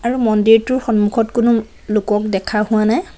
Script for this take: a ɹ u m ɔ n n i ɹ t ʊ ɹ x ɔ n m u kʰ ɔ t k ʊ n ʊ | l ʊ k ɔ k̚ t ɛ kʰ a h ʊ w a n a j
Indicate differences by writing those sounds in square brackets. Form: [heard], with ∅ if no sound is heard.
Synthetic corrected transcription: a ɹ u m ɔ n [d] i ɹ t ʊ ɹ x ɔ n m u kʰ ɔ t k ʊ n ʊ | l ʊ k ɔ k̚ [d] ɛ kʰ a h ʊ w a n a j